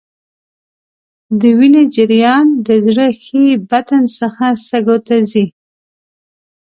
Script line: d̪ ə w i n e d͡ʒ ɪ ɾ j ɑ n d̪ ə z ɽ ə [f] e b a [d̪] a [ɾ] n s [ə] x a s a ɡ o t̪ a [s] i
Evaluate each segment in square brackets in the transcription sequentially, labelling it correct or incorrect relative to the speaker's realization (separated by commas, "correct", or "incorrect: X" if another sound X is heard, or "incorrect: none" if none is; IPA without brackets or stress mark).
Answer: incorrect: x, incorrect: t̪, incorrect: none, correct, incorrect: z